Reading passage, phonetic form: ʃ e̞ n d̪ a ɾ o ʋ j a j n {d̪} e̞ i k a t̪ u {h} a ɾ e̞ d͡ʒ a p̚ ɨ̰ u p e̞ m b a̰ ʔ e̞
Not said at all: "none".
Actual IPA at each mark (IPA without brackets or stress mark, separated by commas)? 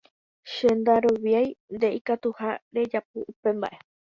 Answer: d̪, h